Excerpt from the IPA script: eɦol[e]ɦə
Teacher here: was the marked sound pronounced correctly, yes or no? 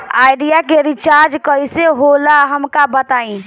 no